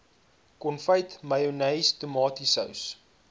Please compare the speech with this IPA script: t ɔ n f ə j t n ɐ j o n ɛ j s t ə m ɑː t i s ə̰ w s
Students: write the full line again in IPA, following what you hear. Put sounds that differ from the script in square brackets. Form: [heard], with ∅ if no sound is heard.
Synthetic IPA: [k] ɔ n f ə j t [m] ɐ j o n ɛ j s t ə m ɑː t i s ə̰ w s